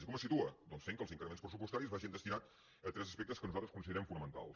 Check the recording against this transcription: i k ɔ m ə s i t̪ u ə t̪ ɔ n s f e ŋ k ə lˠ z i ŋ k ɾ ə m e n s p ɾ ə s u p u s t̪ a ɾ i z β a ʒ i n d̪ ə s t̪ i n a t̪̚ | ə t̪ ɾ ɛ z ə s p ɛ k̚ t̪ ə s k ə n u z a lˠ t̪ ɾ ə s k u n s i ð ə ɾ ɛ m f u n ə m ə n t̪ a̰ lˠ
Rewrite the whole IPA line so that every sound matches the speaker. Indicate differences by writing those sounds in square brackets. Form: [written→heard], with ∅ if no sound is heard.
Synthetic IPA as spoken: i k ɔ m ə s i t̪ u ə [t̪→d̪] ɔ n s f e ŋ k ə lˠ z i ŋ k ɾ ə m e n s p ɾ ə s u p u s t̪ a ɾ i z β a ʒ i n d̪ ə s t̪ i n a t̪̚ | ə t̪ ɾ ɛ z ə s p ɛ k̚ t̪ ə s k ə n u z a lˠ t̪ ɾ ə s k u n s i ð ə ɾ ɛ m f u n ə m ə n t̪ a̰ lˠ